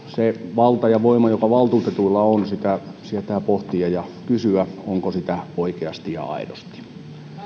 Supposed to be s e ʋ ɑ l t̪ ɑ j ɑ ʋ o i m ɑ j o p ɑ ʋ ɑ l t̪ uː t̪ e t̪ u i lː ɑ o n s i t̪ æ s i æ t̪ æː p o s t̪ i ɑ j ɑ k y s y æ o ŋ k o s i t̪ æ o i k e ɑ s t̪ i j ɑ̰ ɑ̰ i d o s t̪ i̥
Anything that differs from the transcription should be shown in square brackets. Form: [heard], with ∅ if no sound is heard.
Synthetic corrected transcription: s e ʋ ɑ l t̪ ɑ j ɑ ʋ o i m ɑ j o [k] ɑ ʋ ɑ l t̪ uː t̪ e t̪ u i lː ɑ o n s i t̪ æ s i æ t̪ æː p o [h] t̪ i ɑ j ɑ k y s y æ o ŋ k o s i t̪ æ o i k e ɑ s t̪ i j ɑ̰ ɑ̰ i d o s t̪ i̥